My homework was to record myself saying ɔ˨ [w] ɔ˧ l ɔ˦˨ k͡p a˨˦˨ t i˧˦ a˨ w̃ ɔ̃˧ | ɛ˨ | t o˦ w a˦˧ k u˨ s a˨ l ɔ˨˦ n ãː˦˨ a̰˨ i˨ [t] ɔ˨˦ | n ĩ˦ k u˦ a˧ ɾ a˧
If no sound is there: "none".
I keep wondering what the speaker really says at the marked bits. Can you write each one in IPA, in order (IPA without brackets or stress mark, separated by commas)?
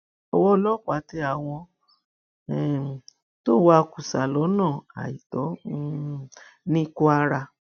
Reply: w, t